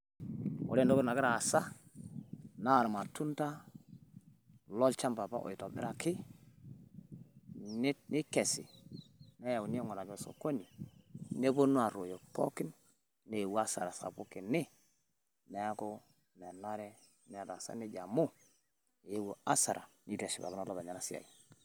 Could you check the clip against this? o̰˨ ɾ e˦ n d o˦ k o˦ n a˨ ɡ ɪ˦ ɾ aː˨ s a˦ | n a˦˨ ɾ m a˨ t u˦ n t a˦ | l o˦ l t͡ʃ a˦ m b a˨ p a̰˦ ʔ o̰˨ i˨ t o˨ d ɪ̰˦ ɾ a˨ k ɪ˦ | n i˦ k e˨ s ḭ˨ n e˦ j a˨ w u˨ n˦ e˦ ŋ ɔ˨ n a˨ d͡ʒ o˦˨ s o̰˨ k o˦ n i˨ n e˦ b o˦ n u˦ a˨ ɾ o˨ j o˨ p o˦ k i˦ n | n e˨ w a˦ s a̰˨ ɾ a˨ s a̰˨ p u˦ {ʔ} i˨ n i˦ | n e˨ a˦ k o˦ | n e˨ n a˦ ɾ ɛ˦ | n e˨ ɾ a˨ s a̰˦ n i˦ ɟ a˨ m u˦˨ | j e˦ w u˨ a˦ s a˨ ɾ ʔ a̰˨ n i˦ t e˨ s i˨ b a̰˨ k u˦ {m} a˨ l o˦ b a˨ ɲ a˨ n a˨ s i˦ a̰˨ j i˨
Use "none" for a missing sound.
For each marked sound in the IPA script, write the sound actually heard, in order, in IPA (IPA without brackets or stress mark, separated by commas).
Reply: k, n